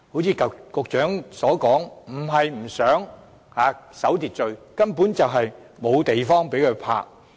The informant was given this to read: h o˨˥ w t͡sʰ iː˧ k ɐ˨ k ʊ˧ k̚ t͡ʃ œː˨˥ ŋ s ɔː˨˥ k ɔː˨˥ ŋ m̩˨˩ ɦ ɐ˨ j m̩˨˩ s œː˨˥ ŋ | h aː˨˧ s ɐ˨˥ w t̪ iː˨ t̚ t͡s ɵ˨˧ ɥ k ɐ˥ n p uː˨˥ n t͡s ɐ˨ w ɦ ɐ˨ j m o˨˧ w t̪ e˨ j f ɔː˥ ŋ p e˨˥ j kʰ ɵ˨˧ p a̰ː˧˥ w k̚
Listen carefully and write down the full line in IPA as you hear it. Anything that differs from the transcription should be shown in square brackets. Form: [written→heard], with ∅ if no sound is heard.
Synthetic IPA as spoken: h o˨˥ w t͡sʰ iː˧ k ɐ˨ k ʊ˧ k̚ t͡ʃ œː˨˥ ŋ s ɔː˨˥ k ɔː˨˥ ŋ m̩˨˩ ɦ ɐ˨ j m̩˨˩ s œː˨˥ ŋ | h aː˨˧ s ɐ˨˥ w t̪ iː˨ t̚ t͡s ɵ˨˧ ɥ k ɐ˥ n p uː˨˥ n t͡s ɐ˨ w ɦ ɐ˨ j m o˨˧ w t̪ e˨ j f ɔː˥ ŋ p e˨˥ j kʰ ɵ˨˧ [p→pʰ] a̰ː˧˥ [w→∅] k̚